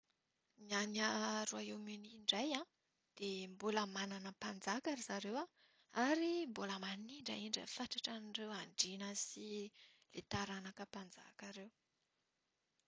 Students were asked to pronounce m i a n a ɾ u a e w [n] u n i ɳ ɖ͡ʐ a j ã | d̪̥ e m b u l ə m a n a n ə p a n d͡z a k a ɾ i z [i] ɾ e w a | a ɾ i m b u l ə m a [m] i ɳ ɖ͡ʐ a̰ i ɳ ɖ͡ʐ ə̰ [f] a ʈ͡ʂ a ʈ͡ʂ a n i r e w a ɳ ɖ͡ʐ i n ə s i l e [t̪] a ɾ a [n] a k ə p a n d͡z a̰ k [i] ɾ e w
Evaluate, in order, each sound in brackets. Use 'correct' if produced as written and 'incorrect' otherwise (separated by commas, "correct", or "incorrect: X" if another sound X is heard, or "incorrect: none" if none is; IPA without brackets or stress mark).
incorrect: m, incorrect: a, incorrect: n, correct, correct, correct, incorrect: a